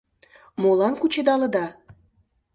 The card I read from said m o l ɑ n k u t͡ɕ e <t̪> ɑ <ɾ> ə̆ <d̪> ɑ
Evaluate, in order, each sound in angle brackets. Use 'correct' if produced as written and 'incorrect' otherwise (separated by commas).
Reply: incorrect, incorrect, correct